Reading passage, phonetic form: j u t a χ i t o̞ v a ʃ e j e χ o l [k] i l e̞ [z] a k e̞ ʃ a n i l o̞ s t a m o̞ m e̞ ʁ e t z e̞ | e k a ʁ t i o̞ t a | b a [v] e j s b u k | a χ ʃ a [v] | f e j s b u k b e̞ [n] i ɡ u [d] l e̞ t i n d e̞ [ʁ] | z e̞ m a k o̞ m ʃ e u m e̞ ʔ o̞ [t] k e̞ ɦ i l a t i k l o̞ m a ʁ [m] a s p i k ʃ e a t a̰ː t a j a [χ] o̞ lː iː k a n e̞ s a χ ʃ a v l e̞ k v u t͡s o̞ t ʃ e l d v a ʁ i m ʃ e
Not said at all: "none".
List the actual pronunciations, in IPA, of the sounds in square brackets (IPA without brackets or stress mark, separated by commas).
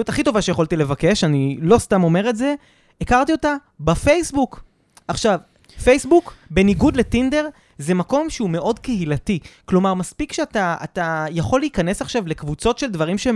t, v, f, v, n, d, ʁ, d, m, χ